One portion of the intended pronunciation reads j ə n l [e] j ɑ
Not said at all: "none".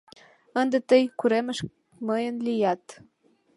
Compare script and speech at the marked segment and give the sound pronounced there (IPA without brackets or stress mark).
i